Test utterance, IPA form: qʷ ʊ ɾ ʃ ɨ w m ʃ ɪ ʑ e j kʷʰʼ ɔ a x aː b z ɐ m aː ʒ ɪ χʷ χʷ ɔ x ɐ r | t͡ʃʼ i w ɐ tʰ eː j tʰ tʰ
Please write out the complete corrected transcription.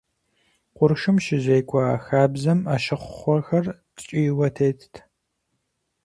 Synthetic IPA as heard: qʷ ʊ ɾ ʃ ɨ m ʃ ɪ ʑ e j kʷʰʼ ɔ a x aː b z ɐ m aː ʃ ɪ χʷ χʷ ɔ x ɐ r | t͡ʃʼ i w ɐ tʰ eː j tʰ tʰ